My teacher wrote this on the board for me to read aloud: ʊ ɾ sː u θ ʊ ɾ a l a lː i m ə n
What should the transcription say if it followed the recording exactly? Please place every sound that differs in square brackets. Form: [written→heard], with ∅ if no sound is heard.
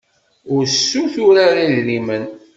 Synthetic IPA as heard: ʊ ɾ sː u θ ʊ ɾ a [l→ɾ] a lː i m ə n